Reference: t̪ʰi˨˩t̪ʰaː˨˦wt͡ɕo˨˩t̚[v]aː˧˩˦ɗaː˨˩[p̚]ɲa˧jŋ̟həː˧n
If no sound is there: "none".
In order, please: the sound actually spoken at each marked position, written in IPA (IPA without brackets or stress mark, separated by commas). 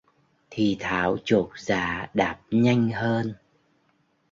z, p̚